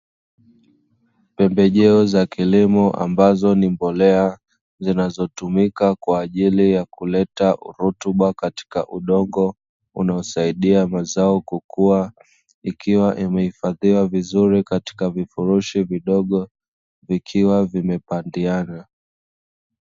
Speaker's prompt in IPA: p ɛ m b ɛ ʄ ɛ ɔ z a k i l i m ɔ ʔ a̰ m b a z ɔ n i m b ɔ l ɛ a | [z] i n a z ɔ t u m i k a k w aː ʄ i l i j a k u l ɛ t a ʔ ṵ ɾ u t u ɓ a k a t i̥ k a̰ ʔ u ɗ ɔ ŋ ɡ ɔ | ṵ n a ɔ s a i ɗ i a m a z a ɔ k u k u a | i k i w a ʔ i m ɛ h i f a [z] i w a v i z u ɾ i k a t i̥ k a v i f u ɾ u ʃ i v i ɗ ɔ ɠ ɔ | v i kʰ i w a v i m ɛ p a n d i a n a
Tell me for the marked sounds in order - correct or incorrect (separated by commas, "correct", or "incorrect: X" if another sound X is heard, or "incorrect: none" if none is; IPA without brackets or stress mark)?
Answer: correct, incorrect: ð